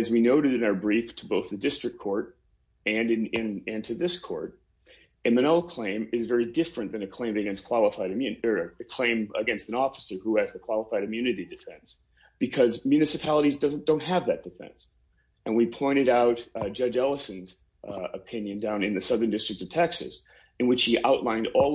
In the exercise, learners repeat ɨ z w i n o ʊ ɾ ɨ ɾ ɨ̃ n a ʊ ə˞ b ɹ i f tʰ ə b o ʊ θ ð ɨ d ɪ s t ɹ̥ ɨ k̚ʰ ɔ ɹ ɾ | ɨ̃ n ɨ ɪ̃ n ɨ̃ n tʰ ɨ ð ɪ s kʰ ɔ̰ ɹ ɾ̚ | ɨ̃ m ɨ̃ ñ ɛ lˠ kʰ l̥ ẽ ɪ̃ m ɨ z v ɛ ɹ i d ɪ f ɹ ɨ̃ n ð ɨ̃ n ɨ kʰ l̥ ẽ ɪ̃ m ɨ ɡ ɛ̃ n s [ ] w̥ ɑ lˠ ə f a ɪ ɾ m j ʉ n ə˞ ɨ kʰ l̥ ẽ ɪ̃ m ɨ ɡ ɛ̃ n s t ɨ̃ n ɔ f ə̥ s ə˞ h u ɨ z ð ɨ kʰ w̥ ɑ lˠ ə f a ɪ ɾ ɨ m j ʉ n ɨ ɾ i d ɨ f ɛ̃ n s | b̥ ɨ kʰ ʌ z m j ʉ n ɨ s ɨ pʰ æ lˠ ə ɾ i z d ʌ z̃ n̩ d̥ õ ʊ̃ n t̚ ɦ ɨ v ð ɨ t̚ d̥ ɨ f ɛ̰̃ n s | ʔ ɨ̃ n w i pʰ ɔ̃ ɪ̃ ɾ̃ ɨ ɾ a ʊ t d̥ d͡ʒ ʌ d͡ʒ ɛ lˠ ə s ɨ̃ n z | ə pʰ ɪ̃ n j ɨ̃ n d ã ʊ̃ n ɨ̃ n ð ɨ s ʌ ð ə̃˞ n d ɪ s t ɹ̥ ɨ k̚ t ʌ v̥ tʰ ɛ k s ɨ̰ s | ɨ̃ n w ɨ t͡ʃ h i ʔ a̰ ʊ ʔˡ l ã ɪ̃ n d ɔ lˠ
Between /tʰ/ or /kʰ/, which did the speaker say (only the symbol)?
kʰ